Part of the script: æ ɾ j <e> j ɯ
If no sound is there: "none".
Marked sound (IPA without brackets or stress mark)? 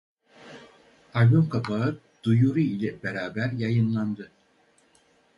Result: a